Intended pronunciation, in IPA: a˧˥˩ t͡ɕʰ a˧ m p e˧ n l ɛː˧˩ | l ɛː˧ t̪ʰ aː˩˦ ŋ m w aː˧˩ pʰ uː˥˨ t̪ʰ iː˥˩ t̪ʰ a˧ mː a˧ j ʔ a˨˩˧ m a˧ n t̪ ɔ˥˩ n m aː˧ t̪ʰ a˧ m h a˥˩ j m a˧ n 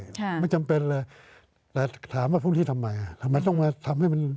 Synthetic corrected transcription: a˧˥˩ t͡ɕ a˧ m p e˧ n l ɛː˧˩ | l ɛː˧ t̪ʰ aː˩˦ m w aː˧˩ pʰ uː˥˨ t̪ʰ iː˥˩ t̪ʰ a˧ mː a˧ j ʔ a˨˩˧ m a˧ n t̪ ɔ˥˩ ŋ m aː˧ t̪ʰ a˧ m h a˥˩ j m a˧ n

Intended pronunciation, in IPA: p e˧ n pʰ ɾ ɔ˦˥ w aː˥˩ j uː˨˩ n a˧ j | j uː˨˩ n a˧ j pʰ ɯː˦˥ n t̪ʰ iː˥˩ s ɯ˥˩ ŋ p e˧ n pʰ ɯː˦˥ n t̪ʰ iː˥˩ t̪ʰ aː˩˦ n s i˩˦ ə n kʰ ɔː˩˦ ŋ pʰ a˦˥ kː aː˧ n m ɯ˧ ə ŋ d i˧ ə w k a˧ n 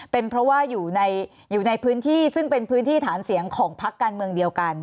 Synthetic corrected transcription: p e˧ n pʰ ɾ ɔ˦˥ w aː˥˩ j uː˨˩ n a˧ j | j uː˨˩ n a˧ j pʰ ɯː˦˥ n t̪ʰ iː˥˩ s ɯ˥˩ ŋ p e˧ n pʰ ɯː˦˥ n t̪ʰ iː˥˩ t̪ʰ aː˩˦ n s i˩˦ ə ŋ kʰ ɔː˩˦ ŋ pʰ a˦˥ kː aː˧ n m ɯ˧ ə ŋ d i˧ ə w k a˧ n

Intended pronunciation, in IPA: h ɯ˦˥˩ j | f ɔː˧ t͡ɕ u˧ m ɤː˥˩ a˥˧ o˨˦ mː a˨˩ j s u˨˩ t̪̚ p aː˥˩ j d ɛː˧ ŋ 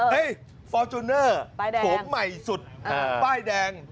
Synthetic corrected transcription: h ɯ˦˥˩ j | f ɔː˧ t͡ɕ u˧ n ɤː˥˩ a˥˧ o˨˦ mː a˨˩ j s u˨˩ t̪̚ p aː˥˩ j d ɛː˧ ŋ

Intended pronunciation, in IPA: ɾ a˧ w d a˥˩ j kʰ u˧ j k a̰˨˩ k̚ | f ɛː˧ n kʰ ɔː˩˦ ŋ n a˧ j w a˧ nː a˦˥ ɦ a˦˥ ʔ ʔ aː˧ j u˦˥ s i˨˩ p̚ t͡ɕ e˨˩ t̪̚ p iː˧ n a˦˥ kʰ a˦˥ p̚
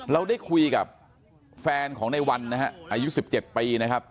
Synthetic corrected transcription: ɾ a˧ w d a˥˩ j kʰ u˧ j k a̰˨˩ p̚ | f ɛː˧ n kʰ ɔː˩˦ ŋ n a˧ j w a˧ nː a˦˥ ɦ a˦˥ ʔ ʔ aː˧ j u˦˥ s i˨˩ p̚ t͡ɕ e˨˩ t̪̚ p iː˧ n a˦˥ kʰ a˦˥ p̚

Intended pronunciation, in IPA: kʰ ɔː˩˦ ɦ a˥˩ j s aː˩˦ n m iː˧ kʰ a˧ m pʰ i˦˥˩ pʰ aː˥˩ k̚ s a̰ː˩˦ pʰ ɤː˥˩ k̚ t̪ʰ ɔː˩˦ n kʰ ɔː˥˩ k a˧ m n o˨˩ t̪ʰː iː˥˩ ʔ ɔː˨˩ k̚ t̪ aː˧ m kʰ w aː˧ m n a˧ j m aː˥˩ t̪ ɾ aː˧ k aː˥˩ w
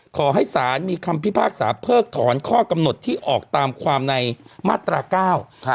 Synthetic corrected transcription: kʰ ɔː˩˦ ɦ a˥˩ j s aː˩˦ n m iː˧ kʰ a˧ m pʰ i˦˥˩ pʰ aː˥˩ k̚ s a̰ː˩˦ pʰ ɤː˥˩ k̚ t̪ʰ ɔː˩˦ n kʰ ɔː˥˩ k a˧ m n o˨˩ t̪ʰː iː˥˩ ʔ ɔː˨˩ k̚ t̪ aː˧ m kʰ w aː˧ m n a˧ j m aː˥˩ t̪ ɾ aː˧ k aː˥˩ w

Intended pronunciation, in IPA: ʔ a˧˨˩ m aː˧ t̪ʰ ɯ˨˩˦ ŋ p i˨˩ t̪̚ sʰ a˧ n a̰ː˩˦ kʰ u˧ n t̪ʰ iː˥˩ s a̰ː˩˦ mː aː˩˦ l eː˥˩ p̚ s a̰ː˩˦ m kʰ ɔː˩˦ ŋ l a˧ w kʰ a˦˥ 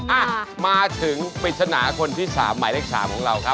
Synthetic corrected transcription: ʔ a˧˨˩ m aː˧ t̪ʰ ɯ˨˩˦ ŋ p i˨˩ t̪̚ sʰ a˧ n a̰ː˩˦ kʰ o˧ n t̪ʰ iː˥˩ s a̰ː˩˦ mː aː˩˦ l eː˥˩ k̚ s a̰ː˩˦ m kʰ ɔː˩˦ ŋ ɾ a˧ w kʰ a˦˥

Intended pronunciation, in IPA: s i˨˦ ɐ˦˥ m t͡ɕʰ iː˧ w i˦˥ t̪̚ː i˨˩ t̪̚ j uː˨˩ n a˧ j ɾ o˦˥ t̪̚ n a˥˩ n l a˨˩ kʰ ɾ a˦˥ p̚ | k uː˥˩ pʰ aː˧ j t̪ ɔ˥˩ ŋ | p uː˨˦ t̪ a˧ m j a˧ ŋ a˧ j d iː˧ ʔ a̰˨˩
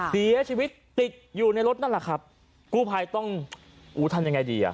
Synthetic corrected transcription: s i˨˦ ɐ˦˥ t͡ɕʰ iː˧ w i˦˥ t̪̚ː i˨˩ t̪̚ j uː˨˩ n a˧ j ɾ o˦˥ t̪̚ n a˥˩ n l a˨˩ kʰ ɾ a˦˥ p̚ | k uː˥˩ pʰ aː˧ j t̪ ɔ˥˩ ŋ | ʔ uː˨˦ t̪ʰ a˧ m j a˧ ŋ a˧ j d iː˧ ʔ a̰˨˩

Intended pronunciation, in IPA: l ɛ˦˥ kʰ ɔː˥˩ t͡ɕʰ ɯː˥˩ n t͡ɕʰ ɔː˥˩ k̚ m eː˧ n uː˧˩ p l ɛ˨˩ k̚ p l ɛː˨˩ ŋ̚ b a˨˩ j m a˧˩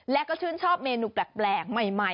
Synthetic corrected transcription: l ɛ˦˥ k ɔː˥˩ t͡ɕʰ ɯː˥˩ n t͡ɕʰ ɔː˥˩ p̚ m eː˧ n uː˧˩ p l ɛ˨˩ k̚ p l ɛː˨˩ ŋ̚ m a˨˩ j m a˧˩

